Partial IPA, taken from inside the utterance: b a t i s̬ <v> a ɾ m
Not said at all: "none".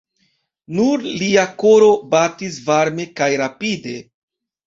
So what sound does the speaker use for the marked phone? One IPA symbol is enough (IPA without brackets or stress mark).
v